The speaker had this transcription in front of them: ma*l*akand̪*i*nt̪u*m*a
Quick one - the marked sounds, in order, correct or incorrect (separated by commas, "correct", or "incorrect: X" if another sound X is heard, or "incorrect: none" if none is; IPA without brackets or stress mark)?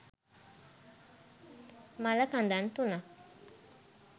correct, incorrect: a, incorrect: n